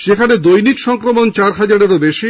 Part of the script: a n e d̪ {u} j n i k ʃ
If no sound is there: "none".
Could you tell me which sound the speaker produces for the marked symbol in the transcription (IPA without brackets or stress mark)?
o